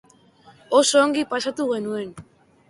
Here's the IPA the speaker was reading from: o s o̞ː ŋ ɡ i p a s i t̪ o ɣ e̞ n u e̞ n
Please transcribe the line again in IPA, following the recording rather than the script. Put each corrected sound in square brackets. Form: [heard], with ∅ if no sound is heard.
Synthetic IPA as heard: o s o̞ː ŋ ɡ i p a s [a] t̪ [u] ɣ e̞ n u e̞ n